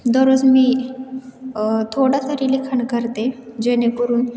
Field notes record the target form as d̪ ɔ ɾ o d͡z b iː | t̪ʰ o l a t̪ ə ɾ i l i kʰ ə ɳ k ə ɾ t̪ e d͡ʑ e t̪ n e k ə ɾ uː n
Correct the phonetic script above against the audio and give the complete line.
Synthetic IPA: d̪ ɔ ɾ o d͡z m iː | t̪ʰ o ɽ a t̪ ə ɾ i l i kʰ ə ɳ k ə ɾ t̪ e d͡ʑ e n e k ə ɾ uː n

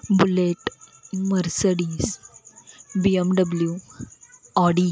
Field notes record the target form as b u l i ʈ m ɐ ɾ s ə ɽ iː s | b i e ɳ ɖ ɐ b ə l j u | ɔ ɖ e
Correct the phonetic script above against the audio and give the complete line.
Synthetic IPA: b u l e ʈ m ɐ ɾ s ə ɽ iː s | b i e m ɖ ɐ b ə l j u | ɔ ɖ i

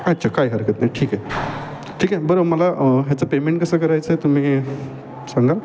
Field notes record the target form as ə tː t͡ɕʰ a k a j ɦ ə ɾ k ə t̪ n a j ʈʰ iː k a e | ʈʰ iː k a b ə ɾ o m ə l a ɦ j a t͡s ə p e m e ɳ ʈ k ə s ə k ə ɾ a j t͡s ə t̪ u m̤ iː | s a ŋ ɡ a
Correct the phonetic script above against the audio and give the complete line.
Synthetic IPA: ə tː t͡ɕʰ a k a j ɦ ə ɾ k ə t̪ n a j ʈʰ iː k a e | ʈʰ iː k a b ə ɾ o m ə l a ɦ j a t͡s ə p e m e ɳ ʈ k ə s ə k ə ɾ a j t͡s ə t̪ u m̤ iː | s a ŋ ɡ a

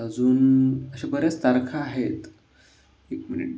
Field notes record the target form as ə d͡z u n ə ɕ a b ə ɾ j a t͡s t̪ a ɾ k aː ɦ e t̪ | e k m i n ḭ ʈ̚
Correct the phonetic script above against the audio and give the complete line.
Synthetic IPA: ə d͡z uː n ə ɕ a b ə ɾ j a t͡s t̪ a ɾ kʰ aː ɦ e t̪ | e k m i n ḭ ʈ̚

